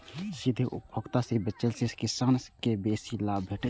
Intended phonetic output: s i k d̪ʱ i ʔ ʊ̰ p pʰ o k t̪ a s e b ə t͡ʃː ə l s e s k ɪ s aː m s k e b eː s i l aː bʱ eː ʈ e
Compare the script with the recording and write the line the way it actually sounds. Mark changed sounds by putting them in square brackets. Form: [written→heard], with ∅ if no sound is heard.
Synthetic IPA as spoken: s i [k→∅] d̪ʱ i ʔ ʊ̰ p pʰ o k t̪ a s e b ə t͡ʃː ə l s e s k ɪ s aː [m→n] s k e b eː s i l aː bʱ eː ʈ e